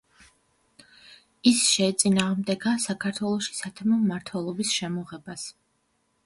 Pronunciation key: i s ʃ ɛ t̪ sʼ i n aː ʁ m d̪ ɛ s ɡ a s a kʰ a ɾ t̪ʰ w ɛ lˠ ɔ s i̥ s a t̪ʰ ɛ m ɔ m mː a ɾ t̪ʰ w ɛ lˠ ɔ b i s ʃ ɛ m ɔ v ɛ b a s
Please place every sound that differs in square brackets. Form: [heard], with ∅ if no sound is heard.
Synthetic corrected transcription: i s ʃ ɛ t̪ sʼ i n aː ʁ m d̪ ɛ [∅] ɡ a s a kʰ a ɾ t̪ʰ w ɛ lˠ ɔ [ʃ] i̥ s a t̪ʰ ɛ m ɔ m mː a ɾ t̪ʰ w ɛ lˠ ɔ b i s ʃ ɛ m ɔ [ʁ] ɛ b a s